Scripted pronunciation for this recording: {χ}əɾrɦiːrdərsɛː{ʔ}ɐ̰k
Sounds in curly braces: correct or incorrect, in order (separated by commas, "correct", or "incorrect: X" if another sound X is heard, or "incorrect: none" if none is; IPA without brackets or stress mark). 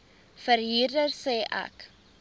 incorrect: f, correct